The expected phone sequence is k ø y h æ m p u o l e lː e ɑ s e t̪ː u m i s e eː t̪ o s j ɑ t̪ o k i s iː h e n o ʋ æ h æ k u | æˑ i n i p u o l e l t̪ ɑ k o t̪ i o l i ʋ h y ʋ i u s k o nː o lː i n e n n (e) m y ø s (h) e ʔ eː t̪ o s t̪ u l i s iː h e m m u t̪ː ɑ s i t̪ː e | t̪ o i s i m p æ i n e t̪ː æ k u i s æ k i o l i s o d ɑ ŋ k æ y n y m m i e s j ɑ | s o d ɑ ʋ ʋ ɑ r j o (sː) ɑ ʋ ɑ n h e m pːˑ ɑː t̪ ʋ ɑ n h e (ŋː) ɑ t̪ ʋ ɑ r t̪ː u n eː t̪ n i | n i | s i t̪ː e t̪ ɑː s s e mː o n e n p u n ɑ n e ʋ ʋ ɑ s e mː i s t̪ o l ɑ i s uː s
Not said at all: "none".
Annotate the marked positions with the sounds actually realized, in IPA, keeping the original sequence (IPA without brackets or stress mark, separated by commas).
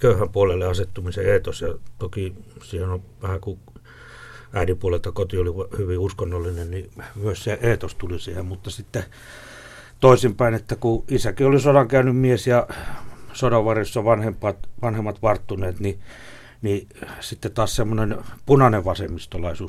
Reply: i, s, sː, mː